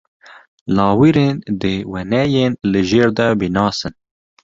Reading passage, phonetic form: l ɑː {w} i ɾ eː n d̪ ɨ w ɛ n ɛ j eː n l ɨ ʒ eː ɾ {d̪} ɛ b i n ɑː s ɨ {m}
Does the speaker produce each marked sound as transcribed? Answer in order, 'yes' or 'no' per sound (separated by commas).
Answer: yes, yes, no